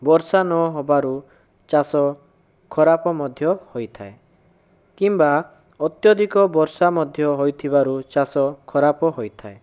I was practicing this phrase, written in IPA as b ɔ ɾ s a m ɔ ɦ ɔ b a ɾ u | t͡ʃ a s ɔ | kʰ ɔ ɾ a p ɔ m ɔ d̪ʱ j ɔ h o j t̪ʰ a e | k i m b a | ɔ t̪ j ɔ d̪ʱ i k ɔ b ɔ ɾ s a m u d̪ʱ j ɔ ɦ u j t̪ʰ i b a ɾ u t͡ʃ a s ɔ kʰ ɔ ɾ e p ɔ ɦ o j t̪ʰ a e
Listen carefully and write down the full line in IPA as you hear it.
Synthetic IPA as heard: b ɔ ɾ s a n ɔ ɦ ɔ b a ɾ u | t͡ʃ a s ɔ | kʰ ɔ ɾ a p ɔ m ɔ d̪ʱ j ɔ h o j t̪ʰ a e | k i m b a | ɔ t̪ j ɔ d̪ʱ i k ɔ b ɔ ɾ s a m ɔ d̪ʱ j ɔ ɦ o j t̪ʰ i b a ɾ u t͡ʃ a s ɔ kʰ ɔ ɾ a p ɔ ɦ o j t̪ʰ a e